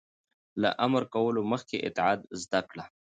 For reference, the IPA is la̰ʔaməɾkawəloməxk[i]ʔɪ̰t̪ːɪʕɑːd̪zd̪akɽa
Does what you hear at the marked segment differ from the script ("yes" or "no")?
yes